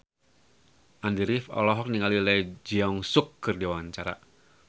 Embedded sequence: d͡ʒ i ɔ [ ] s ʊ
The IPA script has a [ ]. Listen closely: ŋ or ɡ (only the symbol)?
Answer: ŋ